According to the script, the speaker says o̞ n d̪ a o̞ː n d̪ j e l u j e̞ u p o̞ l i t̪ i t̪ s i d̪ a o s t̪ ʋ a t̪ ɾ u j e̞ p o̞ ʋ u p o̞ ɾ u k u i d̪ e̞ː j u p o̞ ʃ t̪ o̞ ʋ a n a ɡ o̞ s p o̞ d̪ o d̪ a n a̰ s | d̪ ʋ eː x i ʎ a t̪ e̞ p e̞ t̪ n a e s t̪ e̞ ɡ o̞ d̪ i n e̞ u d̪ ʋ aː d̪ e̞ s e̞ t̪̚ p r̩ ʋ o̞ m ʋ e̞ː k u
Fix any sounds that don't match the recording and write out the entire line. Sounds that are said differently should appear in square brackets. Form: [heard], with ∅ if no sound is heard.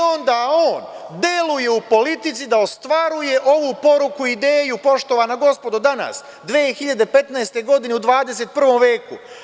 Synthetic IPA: o̞ n d̪ a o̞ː n d̪ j e l u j e̞ u p o̞ l i t̪ i t̪ s i d̪ a o s t̪ ʋ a [∅] ɾ u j e̞ [ʔ] o̞ ʋ u p o̞ ɾ u k u i d̪ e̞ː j u p o̞ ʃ t̪ o̞ ʋ a n a ɡ o̞ s p o̞ d̪ o d̪ a n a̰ s | d̪ ʋ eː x i ʎ a [d̪] e̞ p e̞ t̪ n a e s t̪ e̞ ɡ o̞ d̪ i n e̞ u d̪ ʋ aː d̪ e̞ s e̞ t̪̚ p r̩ ʋ o̞ m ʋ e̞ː k u

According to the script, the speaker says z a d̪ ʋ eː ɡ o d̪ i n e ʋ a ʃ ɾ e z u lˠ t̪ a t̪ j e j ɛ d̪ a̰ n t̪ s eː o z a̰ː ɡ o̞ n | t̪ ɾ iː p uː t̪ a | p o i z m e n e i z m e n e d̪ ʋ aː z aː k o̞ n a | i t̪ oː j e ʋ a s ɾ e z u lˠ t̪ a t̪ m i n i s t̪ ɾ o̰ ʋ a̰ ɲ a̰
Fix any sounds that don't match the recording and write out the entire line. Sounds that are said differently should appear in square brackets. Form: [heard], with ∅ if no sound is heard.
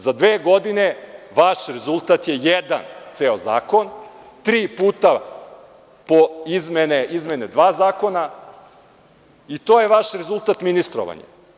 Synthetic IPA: z a d̪ ʋ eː ɡ o d̪ i n e ʋ a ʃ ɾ e z u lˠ t̪ a t̪ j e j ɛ d̪ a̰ n t̪ s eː o z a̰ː [k] o̞ n | t̪ ɾ iː p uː t̪ a | p o i z m e n e i z m e n e d̪ ʋ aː z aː k o̞ n a | i t̪ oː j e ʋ a [ʃ] ɾ e z u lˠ t̪ a t̪ m i n i s t̪ ɾ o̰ ʋ a̰ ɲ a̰

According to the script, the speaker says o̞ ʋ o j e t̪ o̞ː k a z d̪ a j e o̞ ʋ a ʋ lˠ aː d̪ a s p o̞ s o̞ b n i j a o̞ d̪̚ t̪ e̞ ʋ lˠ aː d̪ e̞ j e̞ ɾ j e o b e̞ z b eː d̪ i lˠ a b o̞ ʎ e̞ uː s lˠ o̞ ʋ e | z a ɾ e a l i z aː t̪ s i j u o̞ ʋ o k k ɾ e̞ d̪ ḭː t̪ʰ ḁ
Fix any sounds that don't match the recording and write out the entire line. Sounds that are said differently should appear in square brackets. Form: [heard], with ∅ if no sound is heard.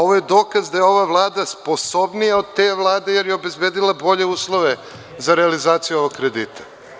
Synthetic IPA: o̞ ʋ o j e [d̪] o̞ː k a z d̪ a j e o̞ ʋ a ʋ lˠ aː d̪ a s p o̞ s o̞ b n i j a o̞ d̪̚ t̪ e̞ ʋ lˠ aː d̪ e̞ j e̞ ɾ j e o b e̞ z b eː d̪ i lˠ a b o̞ ʎ e̞ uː s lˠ o̞ ʋ e | z a ɾ e a l i z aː t̪ s i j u o̞ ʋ o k k ɾ e̞ d̪ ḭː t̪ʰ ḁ

